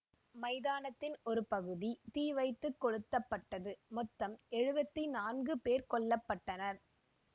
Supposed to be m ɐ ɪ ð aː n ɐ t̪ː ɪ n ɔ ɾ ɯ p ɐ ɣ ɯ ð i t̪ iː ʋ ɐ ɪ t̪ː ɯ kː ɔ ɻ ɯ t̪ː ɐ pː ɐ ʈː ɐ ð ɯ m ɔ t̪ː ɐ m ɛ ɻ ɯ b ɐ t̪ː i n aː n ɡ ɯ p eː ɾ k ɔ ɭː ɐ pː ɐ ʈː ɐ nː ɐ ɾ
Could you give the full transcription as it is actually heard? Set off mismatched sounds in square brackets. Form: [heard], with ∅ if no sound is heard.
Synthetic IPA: m ɐ ɪ ð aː n ɐ t̪ː ɪ n ɔ ɾ ɯ p ɐ ɣ ɯ ð i t̪ iː ʋ ɐ ɪ t̪ː ɯ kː ɔ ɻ ɯ t̪ː ɐ pː ɐ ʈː ɐ ð ɯ m ɔ t̪ː ɐ m ɛ ɻ ɯ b ɐ t̪ː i n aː n ɡ ɯ p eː ɾ k ɔ ɭː ɐ pː ɐ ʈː ɐ [n] ɐ ɾ

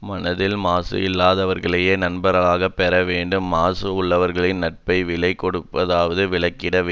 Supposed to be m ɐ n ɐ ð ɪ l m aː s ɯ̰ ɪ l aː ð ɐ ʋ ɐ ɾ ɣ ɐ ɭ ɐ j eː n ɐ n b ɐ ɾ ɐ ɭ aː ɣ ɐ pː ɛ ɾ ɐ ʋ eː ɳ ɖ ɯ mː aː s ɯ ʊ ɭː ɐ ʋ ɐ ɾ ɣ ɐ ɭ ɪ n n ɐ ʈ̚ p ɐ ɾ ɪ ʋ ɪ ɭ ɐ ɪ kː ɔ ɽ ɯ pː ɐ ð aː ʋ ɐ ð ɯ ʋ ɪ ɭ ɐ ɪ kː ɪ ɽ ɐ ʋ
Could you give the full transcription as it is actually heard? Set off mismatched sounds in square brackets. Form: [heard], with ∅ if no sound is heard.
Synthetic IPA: m ɐ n ɐ ð ɪ l m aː s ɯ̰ ɪ [lː] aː ð ɐ ʋ ɐ ɾ ɣ ɐ ɭ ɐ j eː n ɐ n b ɐ ɾ ɐ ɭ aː ɣ ɐ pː ɛ ɾ ɐ ʋ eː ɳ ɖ ɯ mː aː s ɯ ʊ ɭː ɐ ʋ ɐ ɾ ɣ ɐ ɭ ɪ n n ɐ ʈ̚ p ɐ [∅] ɪ ʋ ɪ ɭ ɐ ɪ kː ɔ ɽ ɯ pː ɐ ð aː ʋ ɐ ð ɯ ʋ ɪ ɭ ɐ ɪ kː ɪ ɽ ɐ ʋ

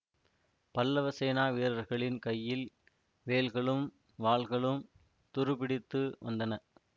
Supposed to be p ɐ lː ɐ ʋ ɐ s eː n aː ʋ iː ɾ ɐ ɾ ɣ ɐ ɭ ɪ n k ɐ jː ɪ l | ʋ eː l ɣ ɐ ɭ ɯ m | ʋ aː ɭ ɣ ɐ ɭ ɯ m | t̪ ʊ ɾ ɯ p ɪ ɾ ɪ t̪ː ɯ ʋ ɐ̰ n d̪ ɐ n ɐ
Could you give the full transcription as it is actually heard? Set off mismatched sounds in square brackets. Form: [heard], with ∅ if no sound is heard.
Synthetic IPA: p ɐ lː ɐ ʋ ɐ s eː n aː ʋ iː ɾ ɐ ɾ ɣ ɐ ɭ ɪ n k ɐ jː ɪ l | ʋ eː l ɣ ɐ ɭ ɯ m | ʋ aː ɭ ɣ ɐ ɭ ɯ m | t̪ ʊ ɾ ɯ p ɪ [ɽ] ɪ t̪ː ɯ ʋ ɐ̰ n d̪ ɐ n ɐ

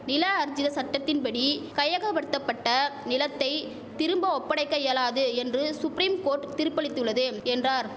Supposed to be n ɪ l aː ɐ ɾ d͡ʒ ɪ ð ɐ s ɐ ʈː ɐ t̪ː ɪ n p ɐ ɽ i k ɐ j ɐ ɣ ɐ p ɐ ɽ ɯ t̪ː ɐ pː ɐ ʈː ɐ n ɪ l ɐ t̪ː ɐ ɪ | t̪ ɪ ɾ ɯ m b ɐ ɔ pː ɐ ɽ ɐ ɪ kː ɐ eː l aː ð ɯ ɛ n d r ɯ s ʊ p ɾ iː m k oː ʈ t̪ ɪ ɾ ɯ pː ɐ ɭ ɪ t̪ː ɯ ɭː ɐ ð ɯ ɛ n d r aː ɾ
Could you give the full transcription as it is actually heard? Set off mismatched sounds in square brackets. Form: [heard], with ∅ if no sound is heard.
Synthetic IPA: n ɪ l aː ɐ ɾ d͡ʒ ɪ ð ɐ s ɐ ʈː ɐ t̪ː ɪ n p ɐ ɽ i k ɐ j ɐ ɣ ɐ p ɐ ɽ ɯ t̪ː ɐ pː ɐ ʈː ɐ n ɪ l ɐ t̪ː ɐ ɪ | t̪ ɪ ɾ ɯ m b ɐ ɔ pː ɐ ɽ ɐ ɪ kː ɐ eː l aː ð ɯ ɛ n d r ɯ s ʊ p ɾ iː m k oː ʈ t̪ ɪ ɾ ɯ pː ɐ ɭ ɪ t̪ː ɯ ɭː ɐ ð ɯ ɛ n d r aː ɾ

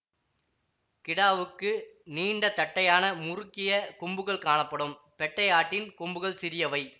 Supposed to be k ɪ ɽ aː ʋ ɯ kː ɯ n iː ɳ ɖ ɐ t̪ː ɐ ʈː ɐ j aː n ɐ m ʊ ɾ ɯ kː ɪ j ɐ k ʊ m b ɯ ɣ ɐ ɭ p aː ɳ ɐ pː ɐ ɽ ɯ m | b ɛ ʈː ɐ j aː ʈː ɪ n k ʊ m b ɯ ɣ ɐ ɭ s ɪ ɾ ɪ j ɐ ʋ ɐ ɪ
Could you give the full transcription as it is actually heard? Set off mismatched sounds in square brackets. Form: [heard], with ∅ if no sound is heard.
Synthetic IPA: k ɪ ɽ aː ʋ ɯ kː ɯ n iː ɳ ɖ ɐ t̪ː ɐ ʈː ɐ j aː n ɐ m ʊ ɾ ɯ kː ɪ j ɐ k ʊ m b ɯ ɣ ɐ ɭ [k] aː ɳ ɐ pː ɐ ɽ ɯ m | [p] ɛ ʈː ɐ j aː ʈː ɪ n k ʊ m b ɯ ɣ ɐ ɭ s ɪ ɾ ɪ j ɐ ʋ ɐ ɪ

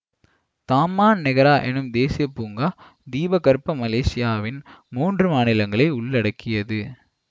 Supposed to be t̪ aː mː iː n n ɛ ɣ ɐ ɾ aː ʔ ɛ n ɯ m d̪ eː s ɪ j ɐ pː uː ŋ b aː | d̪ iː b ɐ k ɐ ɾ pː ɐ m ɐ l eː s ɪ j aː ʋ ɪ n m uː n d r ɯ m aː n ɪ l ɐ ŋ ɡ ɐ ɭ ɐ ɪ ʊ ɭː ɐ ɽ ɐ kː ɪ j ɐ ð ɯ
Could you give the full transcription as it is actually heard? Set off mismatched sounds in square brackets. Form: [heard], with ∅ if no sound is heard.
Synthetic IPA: t̪ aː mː [aː] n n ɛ ɣ ɐ ɾ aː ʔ ɛ n ɯ m d̪ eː s ɪ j ɐ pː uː ŋ [ɡ] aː | d̪ iː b ɐ k ɐ ɾ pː ɐ m ɐ l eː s ɪ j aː ʋ ɪ n m uː n d r ɯ m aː n ɪ l ɐ ŋ ɡ ɐ ɭ ɐ ɪ ʊ ɭː ɐ ɽ ɐ kː ɪ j ɐ ð ɯ

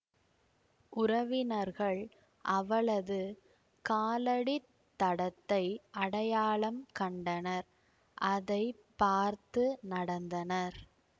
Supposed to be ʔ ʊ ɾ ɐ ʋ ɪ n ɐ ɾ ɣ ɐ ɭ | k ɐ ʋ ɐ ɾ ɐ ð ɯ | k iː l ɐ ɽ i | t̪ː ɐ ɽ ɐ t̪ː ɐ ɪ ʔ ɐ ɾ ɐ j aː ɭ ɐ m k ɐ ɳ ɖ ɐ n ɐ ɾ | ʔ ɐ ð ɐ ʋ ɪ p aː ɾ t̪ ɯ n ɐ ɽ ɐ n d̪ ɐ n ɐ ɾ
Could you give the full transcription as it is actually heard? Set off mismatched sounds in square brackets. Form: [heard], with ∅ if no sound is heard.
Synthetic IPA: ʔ ʊ ɾ ɐ ʋ ɪ n ɐ ɾ ɣ ɐ ɭ | [ʔ] ɐ ʋ ɐ [ɭ] ɐ ð ɯ | k [aː] l ɐ ɽ i | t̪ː ɐ ɽ ɐ t̪ː ɐ ɪ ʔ ɐ [ɽ] ɐ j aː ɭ ɐ m k ɐ ɳ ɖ ɐ n ɐ ɾ | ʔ ɐ ð ɐ [∅] ɪ p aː ɾ t̪ ɯ n ɐ ɽ ɐ n d̪ ɐ n ɐ ɾ

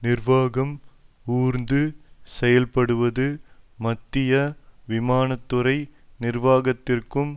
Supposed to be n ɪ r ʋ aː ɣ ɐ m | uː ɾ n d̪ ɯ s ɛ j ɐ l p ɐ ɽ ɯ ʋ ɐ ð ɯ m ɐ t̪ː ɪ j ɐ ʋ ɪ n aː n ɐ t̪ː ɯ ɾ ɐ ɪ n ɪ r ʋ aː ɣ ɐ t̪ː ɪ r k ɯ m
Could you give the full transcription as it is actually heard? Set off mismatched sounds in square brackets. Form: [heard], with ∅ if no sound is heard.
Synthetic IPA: n ɪ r ʋ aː ɣ ɐ m | uː ɾ n d̪ ɯ s ɛ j ɐ l p ɐ ɽ ɯ ʋ ɐ ð ɯ m ɐ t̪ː ɪ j ɐ ʋ ɪ [m] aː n ɐ t̪ː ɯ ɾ ɐ ɪ n ɪ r ʋ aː ɣ ɐ t̪ː ɪ r k ɯ m

